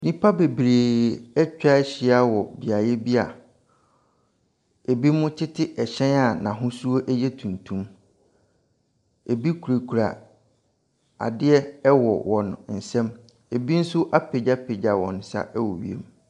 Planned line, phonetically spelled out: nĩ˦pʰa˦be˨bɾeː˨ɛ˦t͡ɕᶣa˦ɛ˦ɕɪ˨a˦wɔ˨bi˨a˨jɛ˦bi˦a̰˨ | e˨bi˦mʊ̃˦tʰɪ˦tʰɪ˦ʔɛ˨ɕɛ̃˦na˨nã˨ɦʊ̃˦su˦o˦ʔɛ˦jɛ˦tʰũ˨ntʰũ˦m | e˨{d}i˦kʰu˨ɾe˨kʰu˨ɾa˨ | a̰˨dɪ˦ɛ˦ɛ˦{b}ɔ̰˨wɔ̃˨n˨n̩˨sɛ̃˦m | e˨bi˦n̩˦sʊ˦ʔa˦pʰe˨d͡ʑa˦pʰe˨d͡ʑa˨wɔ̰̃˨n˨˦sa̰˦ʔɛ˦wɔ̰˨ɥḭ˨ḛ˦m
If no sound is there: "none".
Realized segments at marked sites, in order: b, w

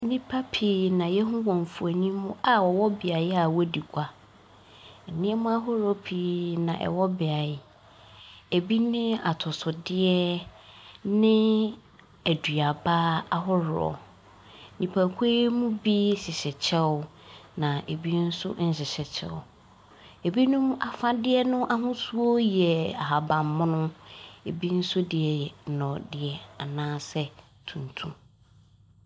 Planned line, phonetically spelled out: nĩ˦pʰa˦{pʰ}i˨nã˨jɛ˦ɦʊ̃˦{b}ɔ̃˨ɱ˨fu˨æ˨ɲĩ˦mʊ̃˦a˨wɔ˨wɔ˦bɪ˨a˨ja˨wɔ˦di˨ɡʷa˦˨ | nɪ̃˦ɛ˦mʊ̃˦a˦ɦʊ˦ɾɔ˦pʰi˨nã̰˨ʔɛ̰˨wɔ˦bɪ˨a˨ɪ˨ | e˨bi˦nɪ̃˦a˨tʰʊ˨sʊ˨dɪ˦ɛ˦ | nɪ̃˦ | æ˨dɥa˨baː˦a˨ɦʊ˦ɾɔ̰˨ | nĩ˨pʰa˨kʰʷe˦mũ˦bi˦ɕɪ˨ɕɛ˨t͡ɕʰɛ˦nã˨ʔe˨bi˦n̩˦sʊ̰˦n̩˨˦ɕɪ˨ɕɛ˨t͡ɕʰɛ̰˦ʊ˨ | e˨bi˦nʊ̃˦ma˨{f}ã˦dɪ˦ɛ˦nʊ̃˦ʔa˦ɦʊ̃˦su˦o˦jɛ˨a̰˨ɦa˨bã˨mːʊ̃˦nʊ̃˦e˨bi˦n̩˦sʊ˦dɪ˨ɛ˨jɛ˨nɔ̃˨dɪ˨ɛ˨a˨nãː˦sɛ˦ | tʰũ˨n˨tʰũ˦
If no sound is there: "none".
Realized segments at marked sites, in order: pʰ, w, f

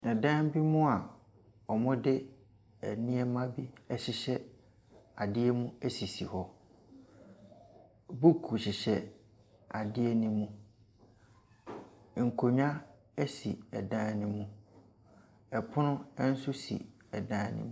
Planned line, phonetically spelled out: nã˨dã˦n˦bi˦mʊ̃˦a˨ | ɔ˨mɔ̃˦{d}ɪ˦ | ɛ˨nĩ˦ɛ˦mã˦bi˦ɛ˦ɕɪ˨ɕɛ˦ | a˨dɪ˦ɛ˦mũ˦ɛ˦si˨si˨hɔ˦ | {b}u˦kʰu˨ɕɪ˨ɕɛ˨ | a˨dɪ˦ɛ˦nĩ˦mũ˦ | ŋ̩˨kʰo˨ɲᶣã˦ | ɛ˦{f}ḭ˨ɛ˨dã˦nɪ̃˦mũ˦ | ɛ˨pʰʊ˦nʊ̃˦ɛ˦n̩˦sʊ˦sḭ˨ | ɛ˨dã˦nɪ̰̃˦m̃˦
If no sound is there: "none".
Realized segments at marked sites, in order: d, b, s

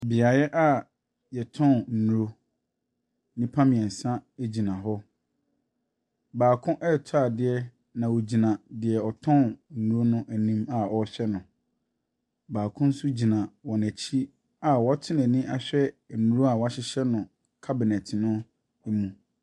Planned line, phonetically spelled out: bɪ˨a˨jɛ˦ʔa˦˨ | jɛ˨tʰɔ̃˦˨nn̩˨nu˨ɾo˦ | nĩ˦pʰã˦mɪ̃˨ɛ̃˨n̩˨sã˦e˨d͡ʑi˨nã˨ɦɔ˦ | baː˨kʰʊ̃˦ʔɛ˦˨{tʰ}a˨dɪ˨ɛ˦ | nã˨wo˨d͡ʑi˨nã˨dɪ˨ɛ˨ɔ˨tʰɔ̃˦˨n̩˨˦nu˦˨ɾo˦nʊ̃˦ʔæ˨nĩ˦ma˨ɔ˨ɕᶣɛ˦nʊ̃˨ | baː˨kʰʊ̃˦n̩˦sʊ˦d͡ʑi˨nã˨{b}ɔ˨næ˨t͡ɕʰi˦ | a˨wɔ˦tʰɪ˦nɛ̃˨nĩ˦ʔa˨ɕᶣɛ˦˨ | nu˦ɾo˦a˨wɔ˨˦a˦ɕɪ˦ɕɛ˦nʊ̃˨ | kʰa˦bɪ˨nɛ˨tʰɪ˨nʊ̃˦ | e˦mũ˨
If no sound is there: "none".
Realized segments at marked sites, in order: tʰ, w

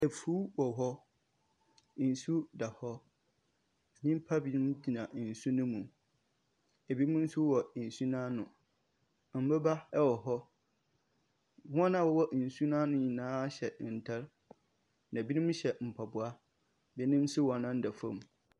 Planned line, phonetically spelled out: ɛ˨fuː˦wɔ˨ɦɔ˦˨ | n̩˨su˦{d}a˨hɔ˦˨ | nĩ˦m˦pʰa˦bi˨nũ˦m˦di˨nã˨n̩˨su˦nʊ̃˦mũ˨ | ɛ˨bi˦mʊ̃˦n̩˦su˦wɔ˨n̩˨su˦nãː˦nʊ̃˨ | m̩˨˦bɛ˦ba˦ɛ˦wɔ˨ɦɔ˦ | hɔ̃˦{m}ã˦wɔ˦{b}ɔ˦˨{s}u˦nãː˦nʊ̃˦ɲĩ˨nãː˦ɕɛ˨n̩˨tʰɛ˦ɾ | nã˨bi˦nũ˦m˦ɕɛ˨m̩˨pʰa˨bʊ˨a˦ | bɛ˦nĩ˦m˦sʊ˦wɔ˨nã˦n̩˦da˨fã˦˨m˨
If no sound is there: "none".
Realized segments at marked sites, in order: d, n, w, s

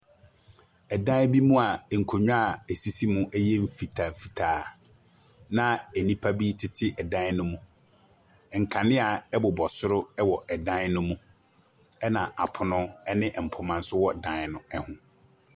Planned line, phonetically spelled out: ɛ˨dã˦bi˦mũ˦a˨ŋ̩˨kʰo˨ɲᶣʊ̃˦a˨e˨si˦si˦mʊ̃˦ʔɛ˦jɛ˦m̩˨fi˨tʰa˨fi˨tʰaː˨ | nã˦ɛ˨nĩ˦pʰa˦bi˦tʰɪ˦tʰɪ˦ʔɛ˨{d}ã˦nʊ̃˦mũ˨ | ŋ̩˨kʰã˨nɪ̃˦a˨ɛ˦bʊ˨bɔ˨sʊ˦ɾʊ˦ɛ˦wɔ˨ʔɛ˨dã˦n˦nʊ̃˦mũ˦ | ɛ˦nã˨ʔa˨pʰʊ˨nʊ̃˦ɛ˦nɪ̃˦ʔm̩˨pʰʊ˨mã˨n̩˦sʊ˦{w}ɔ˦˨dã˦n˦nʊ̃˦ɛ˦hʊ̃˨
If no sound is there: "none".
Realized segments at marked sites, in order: d, w

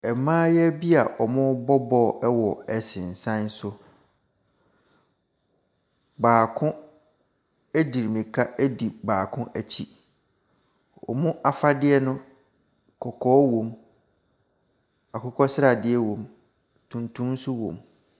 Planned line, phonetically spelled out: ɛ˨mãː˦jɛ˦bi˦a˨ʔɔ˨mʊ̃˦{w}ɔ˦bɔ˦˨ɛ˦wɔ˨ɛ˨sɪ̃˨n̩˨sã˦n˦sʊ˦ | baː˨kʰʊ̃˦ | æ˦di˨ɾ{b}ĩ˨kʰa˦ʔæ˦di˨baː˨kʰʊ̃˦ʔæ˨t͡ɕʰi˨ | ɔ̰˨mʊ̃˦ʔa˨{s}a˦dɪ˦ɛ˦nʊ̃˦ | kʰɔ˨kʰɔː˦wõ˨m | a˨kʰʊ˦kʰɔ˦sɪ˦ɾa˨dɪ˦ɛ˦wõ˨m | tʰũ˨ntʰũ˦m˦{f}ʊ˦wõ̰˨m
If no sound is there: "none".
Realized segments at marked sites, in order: b, m, f, s

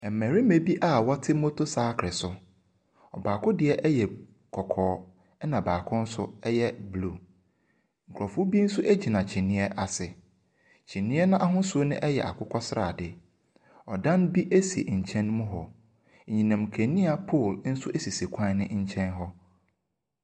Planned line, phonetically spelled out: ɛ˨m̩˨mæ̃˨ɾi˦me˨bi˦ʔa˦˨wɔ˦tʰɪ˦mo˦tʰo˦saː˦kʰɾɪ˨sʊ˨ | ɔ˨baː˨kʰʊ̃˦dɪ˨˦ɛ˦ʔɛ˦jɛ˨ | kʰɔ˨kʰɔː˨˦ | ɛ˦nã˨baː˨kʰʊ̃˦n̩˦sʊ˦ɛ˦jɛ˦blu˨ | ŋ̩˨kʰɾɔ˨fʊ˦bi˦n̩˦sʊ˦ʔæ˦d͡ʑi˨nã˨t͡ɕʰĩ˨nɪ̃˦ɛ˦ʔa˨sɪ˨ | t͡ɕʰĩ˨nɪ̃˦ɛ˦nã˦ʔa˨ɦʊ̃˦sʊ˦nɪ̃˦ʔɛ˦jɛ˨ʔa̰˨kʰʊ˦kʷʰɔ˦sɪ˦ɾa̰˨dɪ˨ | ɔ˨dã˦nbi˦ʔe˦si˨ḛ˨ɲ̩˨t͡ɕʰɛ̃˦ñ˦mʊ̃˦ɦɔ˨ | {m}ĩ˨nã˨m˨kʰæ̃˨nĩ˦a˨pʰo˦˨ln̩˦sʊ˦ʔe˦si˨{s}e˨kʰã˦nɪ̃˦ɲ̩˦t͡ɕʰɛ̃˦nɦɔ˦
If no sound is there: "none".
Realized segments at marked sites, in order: ɲ, s

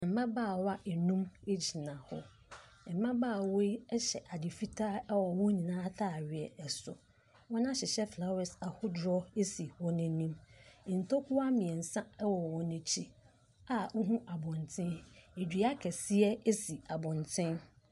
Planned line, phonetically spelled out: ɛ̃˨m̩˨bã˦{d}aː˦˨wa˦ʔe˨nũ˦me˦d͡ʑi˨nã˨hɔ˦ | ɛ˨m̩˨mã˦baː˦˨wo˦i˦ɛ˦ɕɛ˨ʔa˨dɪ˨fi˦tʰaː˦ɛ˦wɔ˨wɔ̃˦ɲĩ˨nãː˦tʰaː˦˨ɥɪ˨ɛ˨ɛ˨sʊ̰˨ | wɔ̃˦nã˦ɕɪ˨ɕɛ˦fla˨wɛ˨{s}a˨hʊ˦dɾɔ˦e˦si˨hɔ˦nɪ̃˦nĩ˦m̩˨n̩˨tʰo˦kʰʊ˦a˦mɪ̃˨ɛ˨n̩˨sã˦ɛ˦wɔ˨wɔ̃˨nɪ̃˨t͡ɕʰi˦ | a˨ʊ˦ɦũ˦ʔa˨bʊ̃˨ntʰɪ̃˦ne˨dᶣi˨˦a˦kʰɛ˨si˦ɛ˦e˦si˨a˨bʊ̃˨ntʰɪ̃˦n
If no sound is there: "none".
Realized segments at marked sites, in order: b, s

